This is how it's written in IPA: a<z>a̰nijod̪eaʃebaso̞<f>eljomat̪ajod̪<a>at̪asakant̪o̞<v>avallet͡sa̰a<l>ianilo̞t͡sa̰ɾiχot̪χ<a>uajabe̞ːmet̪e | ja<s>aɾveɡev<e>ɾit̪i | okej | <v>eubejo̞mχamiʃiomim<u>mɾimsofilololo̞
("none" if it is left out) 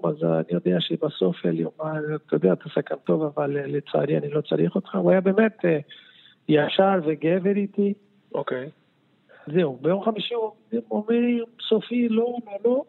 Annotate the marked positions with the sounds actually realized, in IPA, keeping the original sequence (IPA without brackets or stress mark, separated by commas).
z, f, e, v, ɾ, a, ʃ, e, z, o